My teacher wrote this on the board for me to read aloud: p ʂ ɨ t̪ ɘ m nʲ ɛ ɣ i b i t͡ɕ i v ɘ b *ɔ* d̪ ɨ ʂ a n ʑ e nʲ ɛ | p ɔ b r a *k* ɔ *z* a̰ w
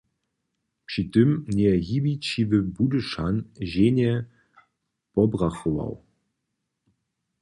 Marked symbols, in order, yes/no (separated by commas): no, no, no